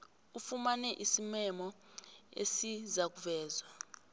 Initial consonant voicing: voiceless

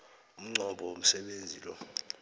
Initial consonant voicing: voiced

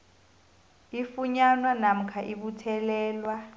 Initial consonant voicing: voiceless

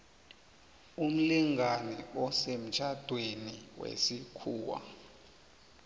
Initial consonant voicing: voiced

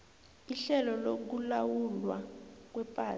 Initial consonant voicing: voiceless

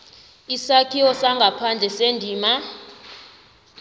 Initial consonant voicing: voiceless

